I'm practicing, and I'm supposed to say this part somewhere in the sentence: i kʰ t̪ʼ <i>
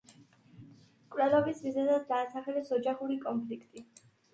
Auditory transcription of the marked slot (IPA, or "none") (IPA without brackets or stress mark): i